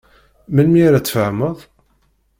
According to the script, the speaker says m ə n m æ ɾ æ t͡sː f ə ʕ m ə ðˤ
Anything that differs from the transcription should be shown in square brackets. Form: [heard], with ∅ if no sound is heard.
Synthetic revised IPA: m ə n m [i] ɾ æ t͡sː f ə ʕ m ə ðˤ